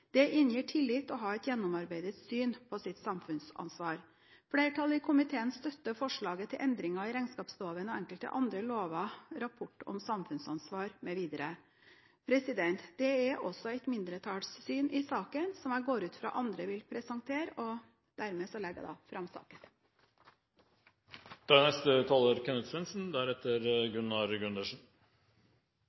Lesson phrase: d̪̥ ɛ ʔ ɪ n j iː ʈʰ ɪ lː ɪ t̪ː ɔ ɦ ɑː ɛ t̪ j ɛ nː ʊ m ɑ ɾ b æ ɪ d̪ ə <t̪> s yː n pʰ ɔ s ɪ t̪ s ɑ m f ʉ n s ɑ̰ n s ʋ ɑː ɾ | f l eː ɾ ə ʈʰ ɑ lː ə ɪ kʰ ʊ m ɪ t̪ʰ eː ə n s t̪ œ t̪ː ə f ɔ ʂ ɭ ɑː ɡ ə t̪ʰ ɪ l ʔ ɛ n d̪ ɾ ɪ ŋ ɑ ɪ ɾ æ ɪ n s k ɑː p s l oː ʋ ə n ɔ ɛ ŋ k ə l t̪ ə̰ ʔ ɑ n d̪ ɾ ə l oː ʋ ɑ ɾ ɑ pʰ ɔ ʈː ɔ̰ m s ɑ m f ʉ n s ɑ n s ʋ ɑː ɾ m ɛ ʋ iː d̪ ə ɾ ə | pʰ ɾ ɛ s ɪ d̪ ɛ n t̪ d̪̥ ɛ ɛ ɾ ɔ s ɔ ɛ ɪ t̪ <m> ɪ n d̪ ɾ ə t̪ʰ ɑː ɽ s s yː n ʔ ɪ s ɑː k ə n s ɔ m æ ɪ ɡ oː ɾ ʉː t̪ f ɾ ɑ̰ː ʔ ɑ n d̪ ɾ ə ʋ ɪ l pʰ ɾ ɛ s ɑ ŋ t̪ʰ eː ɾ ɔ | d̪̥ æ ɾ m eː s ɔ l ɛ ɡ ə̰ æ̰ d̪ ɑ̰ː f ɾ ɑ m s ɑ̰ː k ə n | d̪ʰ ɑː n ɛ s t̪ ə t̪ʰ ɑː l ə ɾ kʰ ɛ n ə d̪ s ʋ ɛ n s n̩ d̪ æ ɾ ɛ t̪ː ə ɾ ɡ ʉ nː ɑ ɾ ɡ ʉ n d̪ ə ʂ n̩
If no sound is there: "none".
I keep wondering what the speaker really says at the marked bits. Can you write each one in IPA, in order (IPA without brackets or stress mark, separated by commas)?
t̪, m